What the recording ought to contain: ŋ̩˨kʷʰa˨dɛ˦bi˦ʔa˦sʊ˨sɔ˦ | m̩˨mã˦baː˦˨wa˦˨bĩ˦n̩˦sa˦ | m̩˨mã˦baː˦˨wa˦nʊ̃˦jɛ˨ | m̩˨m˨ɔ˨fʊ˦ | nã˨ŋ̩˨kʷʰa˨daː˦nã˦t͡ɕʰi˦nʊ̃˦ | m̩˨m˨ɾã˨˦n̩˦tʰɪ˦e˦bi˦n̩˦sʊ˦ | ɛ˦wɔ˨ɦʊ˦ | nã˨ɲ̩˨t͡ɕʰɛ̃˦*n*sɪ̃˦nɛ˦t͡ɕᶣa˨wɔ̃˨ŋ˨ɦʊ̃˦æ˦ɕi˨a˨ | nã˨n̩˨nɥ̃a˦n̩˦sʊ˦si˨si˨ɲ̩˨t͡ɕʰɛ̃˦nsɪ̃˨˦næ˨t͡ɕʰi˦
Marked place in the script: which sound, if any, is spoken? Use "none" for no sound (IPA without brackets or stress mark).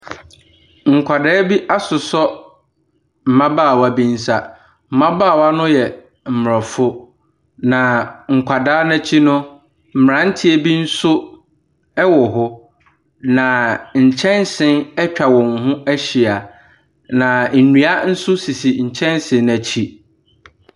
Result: n